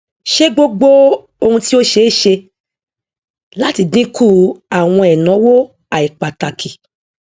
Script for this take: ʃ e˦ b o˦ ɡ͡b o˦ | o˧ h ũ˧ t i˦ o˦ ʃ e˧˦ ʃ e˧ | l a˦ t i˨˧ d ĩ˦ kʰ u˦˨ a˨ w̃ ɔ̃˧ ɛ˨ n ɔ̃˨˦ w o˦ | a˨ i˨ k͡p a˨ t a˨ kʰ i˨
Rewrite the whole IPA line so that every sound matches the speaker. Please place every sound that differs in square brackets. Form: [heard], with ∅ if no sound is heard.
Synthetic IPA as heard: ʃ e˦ [ɡ͡b] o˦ ɡ͡b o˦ | o˧ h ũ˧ t i˦ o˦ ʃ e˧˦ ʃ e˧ | l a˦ t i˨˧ d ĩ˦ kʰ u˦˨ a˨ w̃ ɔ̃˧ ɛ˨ n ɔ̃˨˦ w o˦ | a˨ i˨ k͡p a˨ t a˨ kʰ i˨